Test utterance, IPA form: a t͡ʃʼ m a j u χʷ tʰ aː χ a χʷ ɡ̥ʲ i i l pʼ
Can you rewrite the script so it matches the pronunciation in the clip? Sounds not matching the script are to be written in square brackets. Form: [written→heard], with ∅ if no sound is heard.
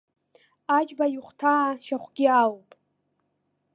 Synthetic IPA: a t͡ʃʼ [m→b] a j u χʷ tʰ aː [χ→ʃ] a χʷ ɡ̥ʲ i [i→a] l pʼ